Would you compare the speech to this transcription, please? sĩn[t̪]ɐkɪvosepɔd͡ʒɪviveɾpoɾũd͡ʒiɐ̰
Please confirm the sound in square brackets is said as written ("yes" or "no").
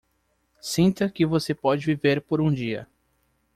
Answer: yes